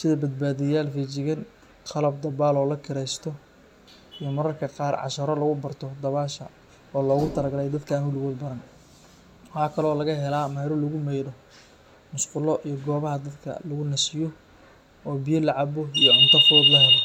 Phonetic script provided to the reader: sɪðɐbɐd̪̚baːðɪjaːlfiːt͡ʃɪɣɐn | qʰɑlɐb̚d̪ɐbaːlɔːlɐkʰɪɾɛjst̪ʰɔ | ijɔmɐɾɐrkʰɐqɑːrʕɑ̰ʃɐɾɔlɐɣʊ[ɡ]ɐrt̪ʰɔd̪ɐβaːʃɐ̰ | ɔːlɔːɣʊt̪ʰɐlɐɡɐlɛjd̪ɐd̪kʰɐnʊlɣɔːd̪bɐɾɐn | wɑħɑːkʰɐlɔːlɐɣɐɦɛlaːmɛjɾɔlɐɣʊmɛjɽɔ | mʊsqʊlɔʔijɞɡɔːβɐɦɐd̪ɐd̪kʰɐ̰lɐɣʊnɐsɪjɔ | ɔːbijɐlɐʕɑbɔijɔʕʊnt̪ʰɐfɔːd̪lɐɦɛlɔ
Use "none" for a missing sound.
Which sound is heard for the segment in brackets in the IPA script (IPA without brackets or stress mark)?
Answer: b